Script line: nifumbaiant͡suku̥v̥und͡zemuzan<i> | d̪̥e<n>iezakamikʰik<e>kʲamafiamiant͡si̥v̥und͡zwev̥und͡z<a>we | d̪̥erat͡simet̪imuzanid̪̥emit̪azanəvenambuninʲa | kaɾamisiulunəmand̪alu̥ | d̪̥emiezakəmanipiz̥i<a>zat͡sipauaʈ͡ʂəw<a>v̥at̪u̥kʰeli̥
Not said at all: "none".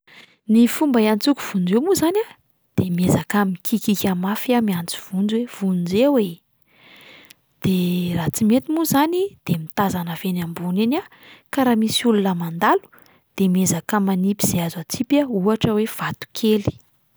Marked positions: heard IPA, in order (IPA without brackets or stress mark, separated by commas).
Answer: a, m, i, e, a, e